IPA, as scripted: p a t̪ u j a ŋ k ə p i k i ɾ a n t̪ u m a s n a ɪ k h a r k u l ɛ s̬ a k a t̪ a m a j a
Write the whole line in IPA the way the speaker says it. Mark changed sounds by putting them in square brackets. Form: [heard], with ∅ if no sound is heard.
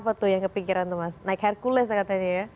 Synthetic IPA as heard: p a t̪ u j a ŋ k ə p i k i ɾ a n t̪ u m a s n a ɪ k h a r k u l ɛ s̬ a k a t̪ a [ɲ] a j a